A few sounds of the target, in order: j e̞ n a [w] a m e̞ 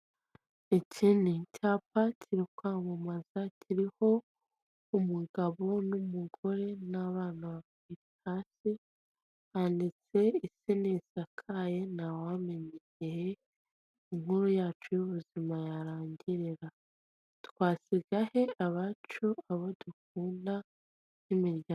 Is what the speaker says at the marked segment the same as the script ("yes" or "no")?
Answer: yes